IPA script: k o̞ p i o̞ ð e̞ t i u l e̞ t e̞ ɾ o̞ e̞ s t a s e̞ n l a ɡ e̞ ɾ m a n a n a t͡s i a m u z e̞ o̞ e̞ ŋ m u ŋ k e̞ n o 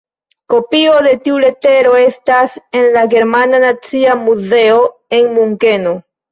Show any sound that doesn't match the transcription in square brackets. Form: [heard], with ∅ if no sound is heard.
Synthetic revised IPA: k o̞ p i o̞ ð e̞ t i u l e̞ t e̞ ɾ o̞ e̞ s t a s e̞ n l a ɡ e̞ ɾ m a n a n a t͡s i a m u z e̞ o̞ e̞ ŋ m u ŋ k e̞ n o